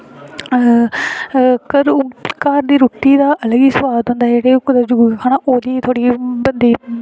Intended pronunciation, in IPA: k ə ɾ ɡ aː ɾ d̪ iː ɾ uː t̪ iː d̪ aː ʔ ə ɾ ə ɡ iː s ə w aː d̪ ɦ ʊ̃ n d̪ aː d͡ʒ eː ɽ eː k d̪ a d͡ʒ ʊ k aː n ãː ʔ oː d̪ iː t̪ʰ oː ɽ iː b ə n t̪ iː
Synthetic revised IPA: k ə ɾ k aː ɾ d̪ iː ɾ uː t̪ iː d̪ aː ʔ ə l ə ɡ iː s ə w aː d̪ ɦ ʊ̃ n d̪ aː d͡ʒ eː ɽ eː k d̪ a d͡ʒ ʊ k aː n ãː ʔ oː d̪ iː t̪ʰ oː ɽ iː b ə n d̪ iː

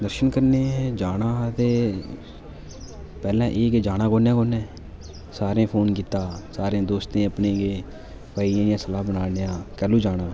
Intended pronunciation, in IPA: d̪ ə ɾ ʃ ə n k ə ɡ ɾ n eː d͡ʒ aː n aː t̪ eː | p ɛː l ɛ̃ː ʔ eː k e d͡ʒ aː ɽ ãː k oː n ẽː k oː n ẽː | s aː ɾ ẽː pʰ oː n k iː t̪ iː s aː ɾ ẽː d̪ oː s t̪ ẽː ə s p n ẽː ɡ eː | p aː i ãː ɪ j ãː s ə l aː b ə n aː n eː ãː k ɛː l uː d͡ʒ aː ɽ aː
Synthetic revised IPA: d̪ ə ɾ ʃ ə n k ə ɾ n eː d͡ʒ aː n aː t̪ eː | p ɛː l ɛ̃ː ʔ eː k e d͡ʒ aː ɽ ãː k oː n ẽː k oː n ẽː | s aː ɾ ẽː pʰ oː n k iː t̪ aː s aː ɾ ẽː d̪ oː s t̪ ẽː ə p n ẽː ɡ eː | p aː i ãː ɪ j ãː s ə l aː b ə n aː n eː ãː k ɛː l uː d͡ʒ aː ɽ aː

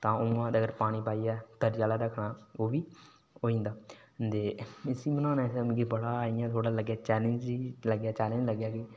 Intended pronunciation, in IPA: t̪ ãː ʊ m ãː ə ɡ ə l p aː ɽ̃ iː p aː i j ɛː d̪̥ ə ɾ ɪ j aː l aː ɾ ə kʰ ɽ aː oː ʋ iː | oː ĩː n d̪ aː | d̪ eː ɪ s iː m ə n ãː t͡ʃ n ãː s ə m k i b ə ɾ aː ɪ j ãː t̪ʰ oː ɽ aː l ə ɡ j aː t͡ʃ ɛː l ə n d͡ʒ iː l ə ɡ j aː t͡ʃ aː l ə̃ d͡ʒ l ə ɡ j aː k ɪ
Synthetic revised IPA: t̪ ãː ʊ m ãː ə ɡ ə ɾ p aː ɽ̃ iː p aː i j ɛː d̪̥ ə ɾ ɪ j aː l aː ɾ ə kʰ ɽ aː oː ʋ iː | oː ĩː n d̪ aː | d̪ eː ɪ s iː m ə n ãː n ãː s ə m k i b ə ɽ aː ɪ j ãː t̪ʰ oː ɽ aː l ə ɡ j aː t͡ʃ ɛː l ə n d͡ʒ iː l ə ɡ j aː t͡ʃ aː l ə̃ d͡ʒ l ə ɡ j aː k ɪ

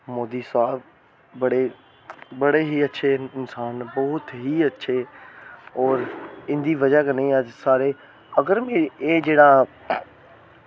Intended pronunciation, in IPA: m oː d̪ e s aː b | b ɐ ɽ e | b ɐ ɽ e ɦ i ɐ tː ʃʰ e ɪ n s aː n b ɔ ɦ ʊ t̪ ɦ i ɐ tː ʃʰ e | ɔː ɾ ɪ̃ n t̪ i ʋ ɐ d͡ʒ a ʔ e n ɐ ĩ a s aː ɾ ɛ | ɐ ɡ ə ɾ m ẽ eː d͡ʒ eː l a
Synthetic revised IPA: m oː d̪ i s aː b | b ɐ ɽ e | b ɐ ɽ e ɦ i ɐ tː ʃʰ e ɪ n s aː n b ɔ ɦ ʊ t̪ ɦ i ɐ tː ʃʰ e | ɔː ɾ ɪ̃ n d̪ i ʋ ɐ d͡ʒ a k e n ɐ ĩ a s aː ɾ e | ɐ ɡ ə ɾ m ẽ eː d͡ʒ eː ɽ a

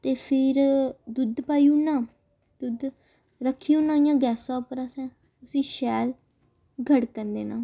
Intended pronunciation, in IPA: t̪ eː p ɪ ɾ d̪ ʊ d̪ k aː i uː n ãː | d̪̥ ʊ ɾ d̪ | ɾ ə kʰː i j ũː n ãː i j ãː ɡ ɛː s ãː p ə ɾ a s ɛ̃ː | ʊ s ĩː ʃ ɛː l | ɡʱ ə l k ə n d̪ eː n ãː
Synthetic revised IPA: t̪ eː pʰ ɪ ɾ d̪ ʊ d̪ p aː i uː n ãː | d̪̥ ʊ d̪ | ɾ ə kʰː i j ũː n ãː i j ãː ɡ ɛː s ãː p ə ɾ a s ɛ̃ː | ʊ s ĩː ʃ ɛː l | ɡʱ ə ɽ k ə n d̪ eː n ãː

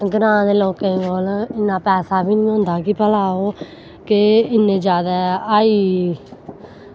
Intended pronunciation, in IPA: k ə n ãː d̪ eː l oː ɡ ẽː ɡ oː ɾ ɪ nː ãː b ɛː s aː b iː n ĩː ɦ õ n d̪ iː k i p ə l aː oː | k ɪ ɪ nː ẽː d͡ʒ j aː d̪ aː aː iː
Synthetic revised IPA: ɡ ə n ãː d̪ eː l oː k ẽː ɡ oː l ɪ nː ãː p ɛː s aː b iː n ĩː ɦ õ n d̪ aː k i p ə l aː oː | k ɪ ɪ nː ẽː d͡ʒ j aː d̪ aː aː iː

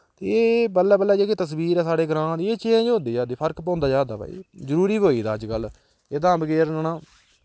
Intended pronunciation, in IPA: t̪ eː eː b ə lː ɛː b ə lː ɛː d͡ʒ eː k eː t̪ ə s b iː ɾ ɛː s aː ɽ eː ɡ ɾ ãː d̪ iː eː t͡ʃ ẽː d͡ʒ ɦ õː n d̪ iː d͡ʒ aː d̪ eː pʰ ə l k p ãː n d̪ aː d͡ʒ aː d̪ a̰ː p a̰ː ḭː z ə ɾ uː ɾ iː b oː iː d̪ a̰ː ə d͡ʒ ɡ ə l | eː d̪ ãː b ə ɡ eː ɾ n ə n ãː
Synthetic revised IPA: t̪ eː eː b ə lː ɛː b ə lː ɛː d͡ʒ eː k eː t̪ ə s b iː ɾ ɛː s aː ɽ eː ɡ ɾ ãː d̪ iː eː t͡ʃ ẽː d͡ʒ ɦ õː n d̪ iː d͡ʒ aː d̪ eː pʰ ə ɾ k p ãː n d̪ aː d͡ʒ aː d̪ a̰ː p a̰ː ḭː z ə ɾ uː ɾ iː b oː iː d̪ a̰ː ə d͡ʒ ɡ ə l | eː d̪ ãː b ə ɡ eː ɾ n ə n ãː

